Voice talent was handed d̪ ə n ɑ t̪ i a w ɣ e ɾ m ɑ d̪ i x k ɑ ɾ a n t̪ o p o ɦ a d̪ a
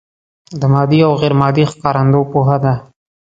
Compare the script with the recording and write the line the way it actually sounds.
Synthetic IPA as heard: d̪ ə m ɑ d̪ i a w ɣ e ɾ m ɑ d̪ i x k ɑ ɾ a n d̪ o p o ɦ a d̪ a